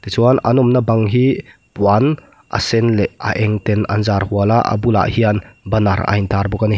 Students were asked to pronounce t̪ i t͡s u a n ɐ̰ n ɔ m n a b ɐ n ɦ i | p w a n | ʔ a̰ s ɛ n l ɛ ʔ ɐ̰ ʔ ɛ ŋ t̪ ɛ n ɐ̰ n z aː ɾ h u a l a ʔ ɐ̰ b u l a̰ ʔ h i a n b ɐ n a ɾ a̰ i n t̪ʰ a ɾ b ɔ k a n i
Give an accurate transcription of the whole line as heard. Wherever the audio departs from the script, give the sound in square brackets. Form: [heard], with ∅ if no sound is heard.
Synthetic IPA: t̪ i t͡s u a n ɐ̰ n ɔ m n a b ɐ [ŋ] ɦ i | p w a n | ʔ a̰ s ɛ n l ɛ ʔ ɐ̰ ʔ ɛ ŋ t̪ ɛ n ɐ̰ n z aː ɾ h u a l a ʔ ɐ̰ b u l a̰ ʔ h i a n b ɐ n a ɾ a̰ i n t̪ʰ a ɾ b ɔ k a n i